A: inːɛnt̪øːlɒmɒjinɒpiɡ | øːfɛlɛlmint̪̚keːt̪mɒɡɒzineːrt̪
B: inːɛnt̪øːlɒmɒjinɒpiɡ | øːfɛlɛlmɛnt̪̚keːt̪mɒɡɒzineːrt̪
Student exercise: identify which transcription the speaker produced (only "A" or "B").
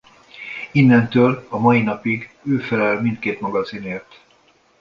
A